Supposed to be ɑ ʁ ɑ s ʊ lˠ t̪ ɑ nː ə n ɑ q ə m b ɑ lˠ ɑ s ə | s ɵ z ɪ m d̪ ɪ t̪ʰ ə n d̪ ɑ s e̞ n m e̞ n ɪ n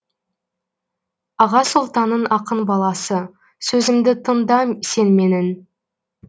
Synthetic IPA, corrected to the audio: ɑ ʁ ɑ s ʊ lˠ t̪ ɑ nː ə n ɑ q ə n b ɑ lˠ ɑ s ə | s ɵ z ɪ m d̪ ɪ t̪ʰ ə n d̪ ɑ s e̞ n m e̞ n ɪ n